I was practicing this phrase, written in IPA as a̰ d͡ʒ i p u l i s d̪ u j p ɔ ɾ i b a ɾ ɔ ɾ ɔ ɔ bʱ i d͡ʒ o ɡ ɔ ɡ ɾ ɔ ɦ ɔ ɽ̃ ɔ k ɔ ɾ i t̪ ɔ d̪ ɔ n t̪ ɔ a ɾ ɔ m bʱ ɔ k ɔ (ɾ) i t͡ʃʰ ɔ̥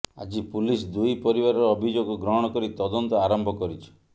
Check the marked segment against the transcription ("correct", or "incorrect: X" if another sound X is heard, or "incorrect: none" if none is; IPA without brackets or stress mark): correct